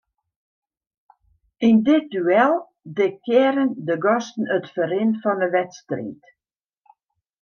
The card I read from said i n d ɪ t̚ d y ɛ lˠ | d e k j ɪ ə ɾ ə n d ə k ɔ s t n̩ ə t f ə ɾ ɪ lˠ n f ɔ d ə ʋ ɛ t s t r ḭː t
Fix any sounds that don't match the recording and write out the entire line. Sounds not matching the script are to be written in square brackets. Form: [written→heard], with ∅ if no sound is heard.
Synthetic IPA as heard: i n d ɪ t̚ d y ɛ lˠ | d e k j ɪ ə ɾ ə n d ə [k→ɡ] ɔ s t n̩ ə t f ə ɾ ɪ [lˠ→∅] n f ɔ [d→n] ə ʋ ɛ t s t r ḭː t